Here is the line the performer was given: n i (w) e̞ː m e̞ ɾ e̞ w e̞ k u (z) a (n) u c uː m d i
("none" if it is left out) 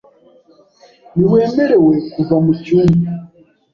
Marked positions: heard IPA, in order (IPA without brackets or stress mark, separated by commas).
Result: w, v, m